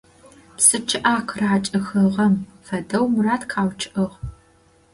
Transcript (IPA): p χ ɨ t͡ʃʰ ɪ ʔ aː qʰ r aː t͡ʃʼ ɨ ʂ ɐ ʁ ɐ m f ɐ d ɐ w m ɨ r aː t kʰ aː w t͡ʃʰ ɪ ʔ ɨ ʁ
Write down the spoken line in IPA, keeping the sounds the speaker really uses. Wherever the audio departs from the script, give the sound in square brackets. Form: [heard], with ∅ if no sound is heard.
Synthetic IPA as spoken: p [s] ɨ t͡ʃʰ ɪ ʔ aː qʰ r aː t͡ʃʼ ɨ [x] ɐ ʁ ɐ m f ɐ d ɐ w m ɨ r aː t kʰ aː w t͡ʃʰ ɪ ʔ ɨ ʁ